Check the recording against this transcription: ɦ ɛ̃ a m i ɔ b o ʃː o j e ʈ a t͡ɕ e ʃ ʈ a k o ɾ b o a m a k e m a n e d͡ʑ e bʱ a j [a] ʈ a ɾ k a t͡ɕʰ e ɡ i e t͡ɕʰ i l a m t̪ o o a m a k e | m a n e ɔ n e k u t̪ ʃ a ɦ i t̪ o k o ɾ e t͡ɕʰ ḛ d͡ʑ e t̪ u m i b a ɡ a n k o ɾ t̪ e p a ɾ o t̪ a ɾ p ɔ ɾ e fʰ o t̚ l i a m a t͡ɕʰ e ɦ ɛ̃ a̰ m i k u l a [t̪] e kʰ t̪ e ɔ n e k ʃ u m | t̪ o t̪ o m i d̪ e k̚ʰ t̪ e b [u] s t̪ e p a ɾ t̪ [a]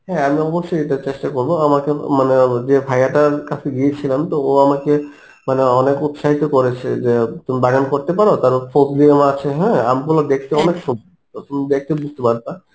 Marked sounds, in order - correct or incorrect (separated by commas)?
correct, incorrect, correct, correct